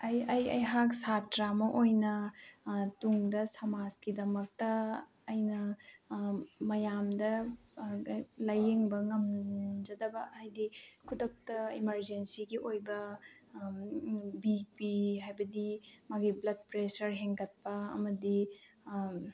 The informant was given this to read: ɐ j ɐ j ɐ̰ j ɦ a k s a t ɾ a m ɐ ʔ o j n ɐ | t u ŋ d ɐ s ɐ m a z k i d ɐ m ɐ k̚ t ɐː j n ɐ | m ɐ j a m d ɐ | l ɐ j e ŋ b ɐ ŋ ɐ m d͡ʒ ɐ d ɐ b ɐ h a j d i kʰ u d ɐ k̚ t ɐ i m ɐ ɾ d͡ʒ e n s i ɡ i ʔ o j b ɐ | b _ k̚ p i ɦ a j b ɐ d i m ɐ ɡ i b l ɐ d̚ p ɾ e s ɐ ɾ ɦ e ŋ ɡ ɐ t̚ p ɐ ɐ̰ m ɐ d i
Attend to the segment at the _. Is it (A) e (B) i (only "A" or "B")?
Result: B